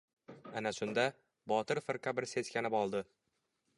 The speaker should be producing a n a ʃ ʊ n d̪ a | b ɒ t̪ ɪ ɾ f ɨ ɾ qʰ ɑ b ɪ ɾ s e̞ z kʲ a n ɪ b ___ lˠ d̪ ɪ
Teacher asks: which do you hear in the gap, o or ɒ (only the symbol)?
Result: ɒ